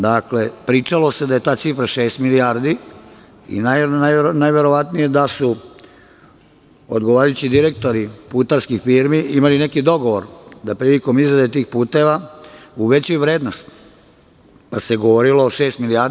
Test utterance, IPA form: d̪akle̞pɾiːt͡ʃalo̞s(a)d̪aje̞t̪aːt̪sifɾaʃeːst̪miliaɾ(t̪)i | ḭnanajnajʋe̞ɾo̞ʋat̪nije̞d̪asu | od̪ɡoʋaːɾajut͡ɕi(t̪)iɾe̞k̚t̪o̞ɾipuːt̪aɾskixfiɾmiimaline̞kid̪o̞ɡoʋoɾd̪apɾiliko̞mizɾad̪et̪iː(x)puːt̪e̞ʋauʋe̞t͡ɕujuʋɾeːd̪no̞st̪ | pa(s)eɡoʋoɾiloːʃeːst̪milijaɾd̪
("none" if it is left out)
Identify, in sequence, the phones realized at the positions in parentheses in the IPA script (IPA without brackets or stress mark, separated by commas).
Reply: e, d̪, d̪, x, s